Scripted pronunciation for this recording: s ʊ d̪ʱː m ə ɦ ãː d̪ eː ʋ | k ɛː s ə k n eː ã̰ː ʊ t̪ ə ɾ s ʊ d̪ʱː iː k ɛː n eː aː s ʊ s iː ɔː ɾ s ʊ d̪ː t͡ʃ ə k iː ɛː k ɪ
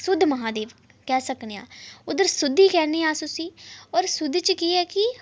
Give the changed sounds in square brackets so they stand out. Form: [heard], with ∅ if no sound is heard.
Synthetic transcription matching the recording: s ʊ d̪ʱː m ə ɦ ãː d̪ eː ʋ | k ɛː s ə k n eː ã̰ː ʊ [d̪] ə ɾ s ʊ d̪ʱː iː k ɛː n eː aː s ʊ s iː ɔː ɾ s ʊ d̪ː t͡ʃ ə k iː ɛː k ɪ